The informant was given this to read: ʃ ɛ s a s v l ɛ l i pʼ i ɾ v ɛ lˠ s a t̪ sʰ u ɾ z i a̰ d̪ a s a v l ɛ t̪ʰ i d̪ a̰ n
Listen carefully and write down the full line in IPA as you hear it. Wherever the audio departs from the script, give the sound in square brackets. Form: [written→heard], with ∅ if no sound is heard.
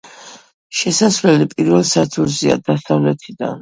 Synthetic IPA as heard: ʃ ɛ s a s v l ɛ l i pʼ i ɾ v ɛ lˠ s a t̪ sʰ u ɾ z i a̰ d̪ a s a v l ɛ t̪ʰ i d̪ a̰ n